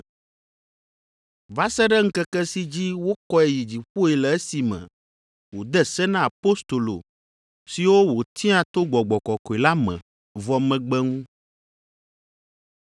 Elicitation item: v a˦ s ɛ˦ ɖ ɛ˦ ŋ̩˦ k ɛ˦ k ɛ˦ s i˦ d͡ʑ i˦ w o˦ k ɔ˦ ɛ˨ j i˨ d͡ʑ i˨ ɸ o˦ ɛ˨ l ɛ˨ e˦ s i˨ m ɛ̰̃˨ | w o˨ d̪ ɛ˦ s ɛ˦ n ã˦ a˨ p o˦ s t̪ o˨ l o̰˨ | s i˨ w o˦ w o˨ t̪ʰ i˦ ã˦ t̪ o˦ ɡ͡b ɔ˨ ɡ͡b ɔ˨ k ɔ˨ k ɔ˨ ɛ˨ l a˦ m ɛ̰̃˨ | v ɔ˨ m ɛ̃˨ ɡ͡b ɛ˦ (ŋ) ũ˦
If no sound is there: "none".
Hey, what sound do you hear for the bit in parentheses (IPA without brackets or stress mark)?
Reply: ŋ